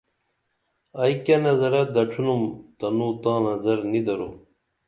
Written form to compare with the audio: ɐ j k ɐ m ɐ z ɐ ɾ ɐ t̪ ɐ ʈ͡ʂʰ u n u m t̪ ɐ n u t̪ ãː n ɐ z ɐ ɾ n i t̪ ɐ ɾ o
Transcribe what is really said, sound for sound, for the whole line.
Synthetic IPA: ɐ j k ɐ n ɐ z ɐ ɾ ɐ d̪ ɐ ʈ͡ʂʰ u n u m t̪ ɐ n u t̪ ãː n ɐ z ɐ ɾ n i d̪ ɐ ɾ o

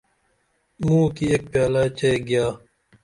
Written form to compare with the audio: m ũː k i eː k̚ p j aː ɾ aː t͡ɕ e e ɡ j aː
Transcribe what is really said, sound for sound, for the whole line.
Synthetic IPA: m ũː k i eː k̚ p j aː l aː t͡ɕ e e ɡ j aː

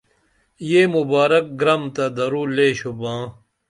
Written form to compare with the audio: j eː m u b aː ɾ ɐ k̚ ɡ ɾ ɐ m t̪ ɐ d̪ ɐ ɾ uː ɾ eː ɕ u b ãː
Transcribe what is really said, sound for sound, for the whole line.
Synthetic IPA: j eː m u b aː ɾ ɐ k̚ ɡ ɾ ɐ m t̪ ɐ d̪ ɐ ɾ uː l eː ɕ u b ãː

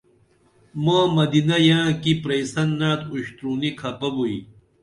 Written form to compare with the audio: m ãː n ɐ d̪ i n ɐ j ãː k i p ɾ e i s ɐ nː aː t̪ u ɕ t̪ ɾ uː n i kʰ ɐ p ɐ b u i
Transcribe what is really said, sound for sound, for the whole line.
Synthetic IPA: m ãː m ɐ d̪ i n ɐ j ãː k i p ɾ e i s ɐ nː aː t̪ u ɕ t̪ ɾ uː n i kʰ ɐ p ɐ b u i

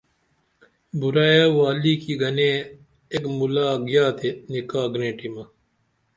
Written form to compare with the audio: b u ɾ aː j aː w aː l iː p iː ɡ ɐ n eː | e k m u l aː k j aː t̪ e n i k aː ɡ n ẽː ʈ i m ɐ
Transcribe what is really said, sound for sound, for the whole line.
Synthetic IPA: b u ɾ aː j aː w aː l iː k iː ɡ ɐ n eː | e k m u l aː ɡ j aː t̪ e n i k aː ɡ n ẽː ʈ i m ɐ

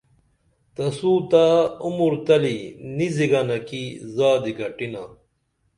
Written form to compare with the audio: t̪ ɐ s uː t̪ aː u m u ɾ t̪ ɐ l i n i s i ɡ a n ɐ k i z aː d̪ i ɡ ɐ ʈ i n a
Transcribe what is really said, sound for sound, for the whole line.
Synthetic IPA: t̪ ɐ s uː t̪ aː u m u ɾ t̪ ɐ l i n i z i ɡ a n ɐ k i z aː d̪ i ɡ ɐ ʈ i n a

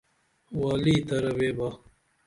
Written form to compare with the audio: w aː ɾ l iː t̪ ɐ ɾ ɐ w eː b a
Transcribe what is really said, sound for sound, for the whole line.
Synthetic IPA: w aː l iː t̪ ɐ ɾ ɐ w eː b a

